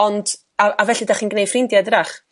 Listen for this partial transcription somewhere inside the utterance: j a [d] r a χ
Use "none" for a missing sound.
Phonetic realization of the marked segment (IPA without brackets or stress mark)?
d